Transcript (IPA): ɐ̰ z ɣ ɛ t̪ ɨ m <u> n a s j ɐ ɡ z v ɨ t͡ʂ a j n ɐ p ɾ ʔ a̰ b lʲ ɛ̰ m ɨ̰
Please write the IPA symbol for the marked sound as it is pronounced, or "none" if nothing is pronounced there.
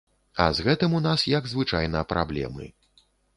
u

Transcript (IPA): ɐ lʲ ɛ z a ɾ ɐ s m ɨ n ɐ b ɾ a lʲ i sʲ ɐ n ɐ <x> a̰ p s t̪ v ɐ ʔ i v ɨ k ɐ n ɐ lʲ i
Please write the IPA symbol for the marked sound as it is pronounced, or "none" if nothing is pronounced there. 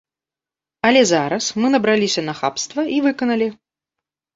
x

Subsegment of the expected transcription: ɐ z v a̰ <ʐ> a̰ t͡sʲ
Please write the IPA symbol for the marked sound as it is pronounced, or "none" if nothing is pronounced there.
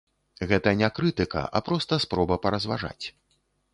ʐ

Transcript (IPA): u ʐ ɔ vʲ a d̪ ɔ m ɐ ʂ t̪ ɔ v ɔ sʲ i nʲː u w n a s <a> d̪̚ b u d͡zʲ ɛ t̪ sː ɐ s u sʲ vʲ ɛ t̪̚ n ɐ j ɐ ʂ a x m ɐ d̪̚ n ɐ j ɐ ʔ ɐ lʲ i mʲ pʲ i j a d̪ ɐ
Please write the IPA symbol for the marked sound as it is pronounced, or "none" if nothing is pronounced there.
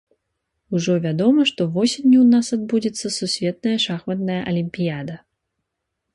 a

